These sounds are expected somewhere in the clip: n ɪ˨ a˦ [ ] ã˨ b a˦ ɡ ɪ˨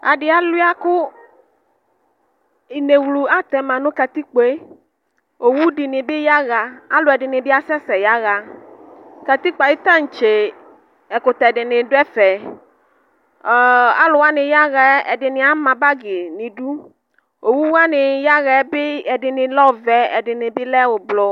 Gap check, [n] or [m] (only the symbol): m